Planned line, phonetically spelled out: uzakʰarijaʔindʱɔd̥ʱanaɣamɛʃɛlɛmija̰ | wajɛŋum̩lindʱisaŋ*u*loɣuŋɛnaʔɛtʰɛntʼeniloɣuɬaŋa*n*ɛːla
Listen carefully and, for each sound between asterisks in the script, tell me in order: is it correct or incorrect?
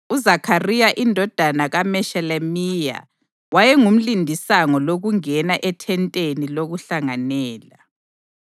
incorrect: ɔ, correct

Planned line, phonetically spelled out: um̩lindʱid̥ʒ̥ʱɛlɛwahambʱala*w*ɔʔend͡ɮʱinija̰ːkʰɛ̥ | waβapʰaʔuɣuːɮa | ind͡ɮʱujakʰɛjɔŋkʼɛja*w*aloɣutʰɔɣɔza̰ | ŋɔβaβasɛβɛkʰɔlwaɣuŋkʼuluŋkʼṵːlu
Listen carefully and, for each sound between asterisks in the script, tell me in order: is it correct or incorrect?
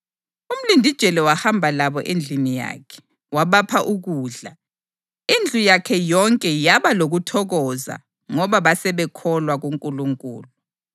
incorrect: β, incorrect: β

